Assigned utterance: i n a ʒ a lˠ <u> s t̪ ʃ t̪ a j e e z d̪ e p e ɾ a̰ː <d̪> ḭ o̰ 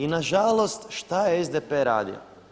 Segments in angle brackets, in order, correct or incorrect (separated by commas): incorrect, correct